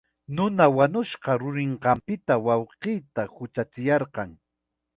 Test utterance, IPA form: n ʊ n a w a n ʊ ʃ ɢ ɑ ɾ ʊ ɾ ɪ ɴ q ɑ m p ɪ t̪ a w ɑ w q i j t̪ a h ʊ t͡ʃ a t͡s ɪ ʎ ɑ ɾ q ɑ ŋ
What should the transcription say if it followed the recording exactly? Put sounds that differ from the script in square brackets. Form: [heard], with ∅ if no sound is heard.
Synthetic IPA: n ʊ n a w a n ʊ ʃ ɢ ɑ ɾ ʊ ɾ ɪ ɴ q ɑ m p ɪ t̪ a w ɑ w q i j t̪ a h ʊ t͡ʃ a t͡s ɪ [j] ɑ ɾ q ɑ ŋ